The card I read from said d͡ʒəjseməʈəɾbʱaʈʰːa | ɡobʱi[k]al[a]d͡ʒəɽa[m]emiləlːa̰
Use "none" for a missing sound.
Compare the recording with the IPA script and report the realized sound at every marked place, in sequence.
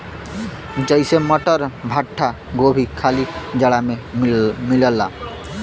kʰ, i, m

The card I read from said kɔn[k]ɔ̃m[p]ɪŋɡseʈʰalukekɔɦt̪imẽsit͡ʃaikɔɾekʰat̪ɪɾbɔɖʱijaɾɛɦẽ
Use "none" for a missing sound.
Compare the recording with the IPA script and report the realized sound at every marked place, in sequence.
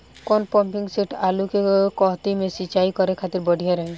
p, p

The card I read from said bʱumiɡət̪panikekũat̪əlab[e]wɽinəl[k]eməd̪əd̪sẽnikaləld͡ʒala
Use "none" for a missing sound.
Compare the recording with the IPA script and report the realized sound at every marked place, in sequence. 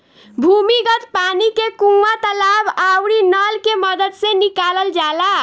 a, k

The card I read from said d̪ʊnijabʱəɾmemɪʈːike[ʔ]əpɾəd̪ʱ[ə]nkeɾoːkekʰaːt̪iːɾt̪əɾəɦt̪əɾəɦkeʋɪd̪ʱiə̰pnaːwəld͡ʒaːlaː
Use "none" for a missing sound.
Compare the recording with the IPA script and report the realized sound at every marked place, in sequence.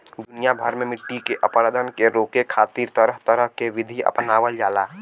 ʔ, ə

